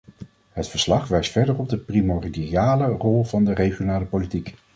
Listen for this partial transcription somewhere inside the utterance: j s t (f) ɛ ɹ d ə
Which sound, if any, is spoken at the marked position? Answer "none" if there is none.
f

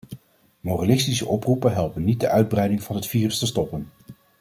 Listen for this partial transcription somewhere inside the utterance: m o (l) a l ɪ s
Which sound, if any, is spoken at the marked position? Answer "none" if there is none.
r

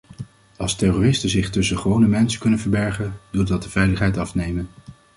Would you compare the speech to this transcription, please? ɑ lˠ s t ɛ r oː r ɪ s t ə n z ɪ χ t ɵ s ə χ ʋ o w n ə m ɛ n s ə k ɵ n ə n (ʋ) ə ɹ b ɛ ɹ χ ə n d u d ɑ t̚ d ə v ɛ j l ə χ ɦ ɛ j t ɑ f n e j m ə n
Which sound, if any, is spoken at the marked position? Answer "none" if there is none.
v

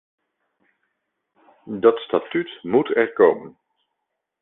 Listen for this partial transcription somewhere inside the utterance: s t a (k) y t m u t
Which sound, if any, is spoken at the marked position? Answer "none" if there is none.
t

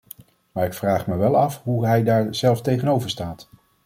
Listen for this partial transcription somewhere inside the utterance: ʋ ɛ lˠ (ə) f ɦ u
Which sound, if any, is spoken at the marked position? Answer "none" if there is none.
ɑ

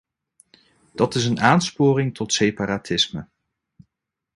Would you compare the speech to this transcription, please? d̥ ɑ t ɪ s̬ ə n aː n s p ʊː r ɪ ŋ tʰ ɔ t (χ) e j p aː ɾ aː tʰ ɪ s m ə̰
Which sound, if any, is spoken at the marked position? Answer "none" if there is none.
s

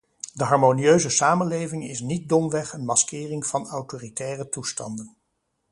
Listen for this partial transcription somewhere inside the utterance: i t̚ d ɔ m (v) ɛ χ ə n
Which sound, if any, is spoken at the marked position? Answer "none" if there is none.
ʋ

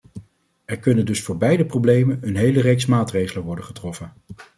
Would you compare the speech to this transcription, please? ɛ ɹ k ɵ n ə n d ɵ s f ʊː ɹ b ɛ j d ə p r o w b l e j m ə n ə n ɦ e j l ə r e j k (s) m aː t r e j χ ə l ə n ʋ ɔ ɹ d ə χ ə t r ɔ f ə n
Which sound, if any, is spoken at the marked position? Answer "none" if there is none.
s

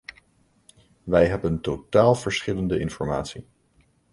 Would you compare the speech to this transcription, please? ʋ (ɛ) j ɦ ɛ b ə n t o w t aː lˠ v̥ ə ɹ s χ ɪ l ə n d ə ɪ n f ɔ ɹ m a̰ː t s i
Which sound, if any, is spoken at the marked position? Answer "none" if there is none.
ɛ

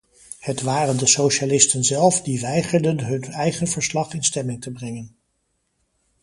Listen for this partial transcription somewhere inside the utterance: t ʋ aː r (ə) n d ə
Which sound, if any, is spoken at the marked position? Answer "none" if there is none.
ə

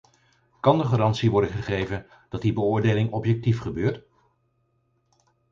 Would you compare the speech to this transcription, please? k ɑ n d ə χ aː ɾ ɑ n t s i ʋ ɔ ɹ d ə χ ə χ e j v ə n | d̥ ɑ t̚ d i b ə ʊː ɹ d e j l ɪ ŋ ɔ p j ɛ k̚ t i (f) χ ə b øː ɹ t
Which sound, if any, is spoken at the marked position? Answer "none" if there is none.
f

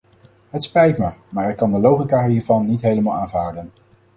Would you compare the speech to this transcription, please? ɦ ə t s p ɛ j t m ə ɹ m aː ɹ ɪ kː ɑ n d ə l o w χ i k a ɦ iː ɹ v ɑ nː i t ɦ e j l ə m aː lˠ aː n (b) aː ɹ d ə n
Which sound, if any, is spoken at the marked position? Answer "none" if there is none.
v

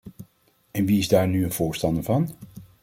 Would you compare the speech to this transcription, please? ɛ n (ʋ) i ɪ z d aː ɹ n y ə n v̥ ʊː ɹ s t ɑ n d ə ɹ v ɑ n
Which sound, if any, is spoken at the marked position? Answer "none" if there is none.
ʋ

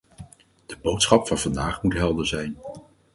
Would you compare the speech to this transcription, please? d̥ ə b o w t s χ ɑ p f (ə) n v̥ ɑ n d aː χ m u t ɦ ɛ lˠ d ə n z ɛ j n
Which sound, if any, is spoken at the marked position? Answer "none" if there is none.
ɑ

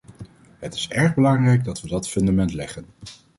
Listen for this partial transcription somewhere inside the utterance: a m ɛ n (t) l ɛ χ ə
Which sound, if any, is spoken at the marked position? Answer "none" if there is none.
t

